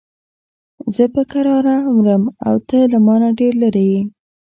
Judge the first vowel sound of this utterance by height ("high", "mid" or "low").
mid